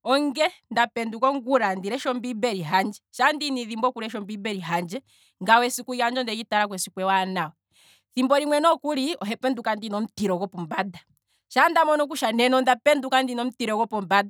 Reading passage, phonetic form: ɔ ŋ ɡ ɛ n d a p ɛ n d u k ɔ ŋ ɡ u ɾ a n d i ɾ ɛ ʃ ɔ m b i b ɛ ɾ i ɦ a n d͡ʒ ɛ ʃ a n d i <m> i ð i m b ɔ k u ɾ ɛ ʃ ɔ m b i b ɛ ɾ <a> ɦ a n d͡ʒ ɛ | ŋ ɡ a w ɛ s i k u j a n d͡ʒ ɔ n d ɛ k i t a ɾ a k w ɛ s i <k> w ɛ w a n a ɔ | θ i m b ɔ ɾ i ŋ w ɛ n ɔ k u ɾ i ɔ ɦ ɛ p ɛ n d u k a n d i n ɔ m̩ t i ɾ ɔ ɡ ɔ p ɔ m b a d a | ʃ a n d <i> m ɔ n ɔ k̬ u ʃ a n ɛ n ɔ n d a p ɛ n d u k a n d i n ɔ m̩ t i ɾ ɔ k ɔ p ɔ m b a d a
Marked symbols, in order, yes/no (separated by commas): no, no, yes, no